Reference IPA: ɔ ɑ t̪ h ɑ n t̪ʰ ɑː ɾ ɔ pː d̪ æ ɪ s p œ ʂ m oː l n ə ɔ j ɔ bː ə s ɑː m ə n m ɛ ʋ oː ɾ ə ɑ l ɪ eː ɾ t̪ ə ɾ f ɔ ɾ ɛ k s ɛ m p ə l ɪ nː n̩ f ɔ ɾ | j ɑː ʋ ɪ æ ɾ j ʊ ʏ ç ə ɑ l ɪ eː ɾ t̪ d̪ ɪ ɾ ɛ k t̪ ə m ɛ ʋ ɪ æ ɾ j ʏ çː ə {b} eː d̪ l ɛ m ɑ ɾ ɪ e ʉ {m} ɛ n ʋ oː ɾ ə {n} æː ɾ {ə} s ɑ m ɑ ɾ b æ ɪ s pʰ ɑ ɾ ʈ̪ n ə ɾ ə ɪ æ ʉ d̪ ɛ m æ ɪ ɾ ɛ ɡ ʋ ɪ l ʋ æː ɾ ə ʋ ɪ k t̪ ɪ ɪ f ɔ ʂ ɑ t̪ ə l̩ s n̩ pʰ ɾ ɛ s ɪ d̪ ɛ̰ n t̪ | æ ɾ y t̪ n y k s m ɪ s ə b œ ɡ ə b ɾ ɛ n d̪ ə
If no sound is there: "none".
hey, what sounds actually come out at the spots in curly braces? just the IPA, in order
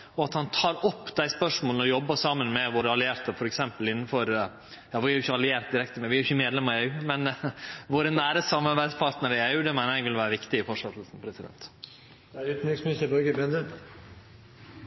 m, m, n, ə

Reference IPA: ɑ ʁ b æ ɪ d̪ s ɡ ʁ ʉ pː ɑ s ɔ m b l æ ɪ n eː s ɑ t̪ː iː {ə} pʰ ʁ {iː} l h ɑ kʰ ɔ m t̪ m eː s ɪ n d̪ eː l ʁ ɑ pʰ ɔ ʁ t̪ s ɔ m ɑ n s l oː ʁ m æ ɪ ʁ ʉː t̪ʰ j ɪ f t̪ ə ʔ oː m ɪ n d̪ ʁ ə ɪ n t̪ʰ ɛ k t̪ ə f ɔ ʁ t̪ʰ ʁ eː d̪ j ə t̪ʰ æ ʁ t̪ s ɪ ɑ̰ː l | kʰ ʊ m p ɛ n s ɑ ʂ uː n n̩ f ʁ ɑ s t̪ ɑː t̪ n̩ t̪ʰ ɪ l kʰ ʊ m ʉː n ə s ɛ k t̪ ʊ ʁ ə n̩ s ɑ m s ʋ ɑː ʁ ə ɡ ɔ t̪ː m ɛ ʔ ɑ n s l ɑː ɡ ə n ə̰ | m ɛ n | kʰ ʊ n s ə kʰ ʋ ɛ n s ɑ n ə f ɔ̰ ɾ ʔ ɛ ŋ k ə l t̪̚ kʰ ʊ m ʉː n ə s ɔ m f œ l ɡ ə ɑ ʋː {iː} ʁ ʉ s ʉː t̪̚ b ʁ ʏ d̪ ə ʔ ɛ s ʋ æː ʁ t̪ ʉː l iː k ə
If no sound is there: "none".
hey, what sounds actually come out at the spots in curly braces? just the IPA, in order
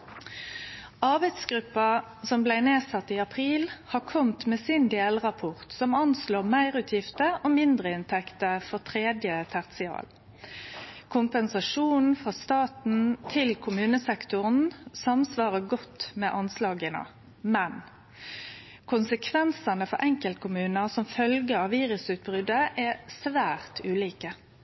ɑ, iː, iː

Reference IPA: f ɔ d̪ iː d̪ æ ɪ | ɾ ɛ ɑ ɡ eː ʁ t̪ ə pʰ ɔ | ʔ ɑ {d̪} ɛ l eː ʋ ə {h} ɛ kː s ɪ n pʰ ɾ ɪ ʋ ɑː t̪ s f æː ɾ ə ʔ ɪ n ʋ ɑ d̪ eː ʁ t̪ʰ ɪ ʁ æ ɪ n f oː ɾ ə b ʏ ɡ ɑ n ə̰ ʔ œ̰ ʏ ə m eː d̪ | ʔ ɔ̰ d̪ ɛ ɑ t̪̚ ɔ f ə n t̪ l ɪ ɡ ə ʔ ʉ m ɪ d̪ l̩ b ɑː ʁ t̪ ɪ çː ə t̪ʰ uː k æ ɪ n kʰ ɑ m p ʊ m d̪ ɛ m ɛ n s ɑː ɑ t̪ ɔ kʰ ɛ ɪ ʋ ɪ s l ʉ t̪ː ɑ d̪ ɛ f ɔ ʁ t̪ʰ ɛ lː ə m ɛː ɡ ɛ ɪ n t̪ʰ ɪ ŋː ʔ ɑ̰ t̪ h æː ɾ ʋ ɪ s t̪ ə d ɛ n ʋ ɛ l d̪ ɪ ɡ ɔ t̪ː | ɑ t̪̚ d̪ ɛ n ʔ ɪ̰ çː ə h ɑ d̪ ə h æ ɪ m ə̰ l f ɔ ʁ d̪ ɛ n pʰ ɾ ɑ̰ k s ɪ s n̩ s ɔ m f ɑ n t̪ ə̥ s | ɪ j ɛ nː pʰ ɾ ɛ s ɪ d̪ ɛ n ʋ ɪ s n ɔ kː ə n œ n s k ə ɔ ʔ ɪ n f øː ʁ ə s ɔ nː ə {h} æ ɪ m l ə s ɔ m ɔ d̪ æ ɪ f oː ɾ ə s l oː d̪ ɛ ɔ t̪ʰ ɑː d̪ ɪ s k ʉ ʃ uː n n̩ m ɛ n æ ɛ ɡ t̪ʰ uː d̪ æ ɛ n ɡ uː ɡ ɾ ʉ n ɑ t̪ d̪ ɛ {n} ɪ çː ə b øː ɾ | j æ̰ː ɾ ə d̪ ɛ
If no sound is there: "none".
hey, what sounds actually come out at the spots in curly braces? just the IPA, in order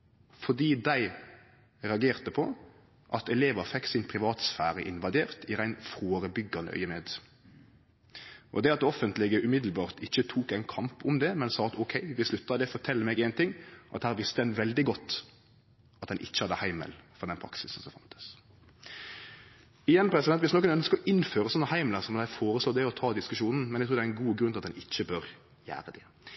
t̪, f, h, n

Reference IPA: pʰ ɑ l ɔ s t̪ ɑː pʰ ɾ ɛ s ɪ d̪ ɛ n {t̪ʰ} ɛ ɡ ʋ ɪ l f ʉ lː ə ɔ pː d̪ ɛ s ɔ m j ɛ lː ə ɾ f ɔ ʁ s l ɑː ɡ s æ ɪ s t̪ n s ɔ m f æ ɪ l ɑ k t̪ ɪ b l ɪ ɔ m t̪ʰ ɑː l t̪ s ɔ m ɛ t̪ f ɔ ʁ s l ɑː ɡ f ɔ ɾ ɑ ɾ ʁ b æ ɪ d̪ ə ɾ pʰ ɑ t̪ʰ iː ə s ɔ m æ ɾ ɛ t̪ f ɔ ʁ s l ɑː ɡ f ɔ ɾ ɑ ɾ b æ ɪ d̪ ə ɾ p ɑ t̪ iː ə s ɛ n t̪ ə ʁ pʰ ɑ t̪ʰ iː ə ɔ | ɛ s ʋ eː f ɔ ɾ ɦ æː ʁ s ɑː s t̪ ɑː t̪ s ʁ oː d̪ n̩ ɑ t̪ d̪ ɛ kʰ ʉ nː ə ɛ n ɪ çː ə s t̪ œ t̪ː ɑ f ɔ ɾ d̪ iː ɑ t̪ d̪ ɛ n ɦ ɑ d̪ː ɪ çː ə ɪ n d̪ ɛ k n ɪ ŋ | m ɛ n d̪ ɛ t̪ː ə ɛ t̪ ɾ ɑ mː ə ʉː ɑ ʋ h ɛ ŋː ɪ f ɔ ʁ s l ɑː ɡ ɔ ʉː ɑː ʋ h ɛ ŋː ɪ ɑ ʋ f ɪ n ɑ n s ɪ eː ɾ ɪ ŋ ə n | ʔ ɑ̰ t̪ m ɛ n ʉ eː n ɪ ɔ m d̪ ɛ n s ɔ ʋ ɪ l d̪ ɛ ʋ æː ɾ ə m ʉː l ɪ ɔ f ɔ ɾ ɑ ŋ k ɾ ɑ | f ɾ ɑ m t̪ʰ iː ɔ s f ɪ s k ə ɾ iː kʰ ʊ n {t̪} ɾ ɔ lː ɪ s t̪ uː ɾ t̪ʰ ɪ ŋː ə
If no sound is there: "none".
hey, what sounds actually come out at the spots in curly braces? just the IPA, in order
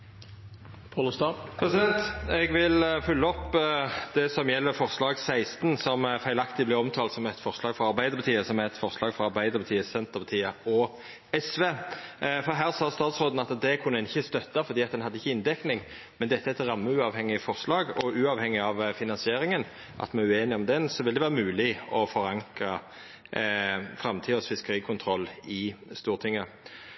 t̪, t̪ʰ

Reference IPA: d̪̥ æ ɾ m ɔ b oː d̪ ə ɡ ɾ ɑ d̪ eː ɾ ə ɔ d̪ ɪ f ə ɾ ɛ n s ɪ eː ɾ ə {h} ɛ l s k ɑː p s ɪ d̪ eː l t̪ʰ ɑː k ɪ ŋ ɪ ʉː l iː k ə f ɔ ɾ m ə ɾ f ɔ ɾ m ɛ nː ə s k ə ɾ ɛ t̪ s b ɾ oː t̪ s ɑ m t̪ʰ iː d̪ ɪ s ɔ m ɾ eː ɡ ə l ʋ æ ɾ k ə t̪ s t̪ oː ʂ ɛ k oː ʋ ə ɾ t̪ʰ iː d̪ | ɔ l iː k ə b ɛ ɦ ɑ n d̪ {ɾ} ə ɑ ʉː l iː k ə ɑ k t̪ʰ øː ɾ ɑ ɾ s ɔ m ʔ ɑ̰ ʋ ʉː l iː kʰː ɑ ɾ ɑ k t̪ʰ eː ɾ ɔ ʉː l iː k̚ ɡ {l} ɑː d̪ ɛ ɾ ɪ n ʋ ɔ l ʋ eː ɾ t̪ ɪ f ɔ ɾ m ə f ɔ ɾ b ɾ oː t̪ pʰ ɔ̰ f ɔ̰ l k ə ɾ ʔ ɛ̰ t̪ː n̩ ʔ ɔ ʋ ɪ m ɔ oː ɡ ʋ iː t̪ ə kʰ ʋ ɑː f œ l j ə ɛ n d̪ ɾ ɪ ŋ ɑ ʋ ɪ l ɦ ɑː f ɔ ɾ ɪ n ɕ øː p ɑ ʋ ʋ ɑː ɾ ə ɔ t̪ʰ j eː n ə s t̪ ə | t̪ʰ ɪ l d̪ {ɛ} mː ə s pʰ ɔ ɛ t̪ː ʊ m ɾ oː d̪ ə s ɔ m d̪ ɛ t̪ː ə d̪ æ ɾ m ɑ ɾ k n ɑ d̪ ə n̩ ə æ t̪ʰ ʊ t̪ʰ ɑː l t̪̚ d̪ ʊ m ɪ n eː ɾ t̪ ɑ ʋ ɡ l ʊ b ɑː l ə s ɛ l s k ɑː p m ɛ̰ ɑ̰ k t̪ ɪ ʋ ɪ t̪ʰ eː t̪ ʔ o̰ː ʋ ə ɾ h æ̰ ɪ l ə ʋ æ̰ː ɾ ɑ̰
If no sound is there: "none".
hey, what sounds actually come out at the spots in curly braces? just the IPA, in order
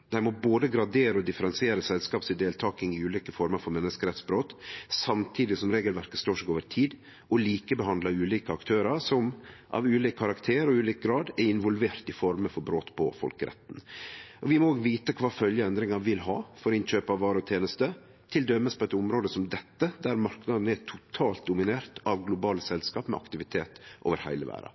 s, l, ɾ, œ

